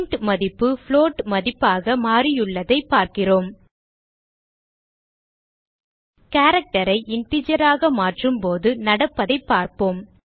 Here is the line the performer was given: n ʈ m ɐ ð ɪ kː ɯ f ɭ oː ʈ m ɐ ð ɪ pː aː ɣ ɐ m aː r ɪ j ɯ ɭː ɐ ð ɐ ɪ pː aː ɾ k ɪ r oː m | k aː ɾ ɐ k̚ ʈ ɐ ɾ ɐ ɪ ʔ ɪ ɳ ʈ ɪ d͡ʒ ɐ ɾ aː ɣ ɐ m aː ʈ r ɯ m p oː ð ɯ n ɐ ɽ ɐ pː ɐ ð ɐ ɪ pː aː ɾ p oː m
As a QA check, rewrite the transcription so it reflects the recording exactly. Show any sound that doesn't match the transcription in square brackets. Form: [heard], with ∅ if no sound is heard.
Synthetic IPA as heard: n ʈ m ɐ ð ɪ [pː] ɯ f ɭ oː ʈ m ɐ ð ɪ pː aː ɣ ɐ m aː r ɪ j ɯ ɭː ɐ ð ɐ ɪ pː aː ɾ k ɪ r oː m | k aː ɾ ɐ k̚ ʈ ɐ ɾ ɐ ɪ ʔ ɪ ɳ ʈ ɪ d͡ʒ ɐ ɾ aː ɣ ɐ m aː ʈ r ɯ m p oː ð ɯ n ɐ ɽ ɐ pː ɐ ð ɐ ɪ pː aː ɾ p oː m